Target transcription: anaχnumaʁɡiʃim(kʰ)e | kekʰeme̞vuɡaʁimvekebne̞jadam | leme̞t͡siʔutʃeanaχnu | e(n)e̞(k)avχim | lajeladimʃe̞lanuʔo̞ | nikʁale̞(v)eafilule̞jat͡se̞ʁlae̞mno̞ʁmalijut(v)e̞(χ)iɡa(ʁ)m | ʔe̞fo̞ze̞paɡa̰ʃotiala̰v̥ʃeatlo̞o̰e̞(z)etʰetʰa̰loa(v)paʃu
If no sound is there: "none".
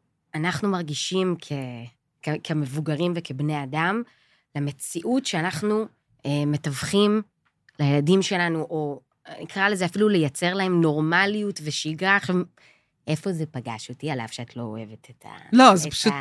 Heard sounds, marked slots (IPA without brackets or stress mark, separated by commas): kʰ, m, t, z, v, ʃ, χ, v, z